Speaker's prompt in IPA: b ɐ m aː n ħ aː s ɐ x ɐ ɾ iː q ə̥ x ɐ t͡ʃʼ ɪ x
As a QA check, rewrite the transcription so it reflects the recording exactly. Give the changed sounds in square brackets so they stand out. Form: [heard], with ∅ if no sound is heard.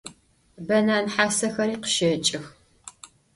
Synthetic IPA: b ɐ [n] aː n ħ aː s ɐ x ɐ ɾ iː q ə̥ [ʃ] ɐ t͡ʃʼ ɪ x